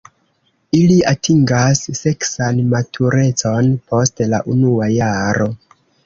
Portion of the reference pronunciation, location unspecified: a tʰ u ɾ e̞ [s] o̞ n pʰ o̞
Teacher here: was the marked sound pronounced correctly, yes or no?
no